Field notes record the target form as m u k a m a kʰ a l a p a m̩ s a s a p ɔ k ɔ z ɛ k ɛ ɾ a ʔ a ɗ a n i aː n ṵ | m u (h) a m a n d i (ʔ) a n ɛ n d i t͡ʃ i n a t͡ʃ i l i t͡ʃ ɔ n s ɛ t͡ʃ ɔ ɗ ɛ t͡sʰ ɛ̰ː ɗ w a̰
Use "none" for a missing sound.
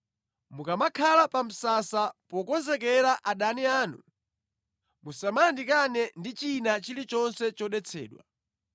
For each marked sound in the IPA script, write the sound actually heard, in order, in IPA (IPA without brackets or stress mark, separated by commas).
s, k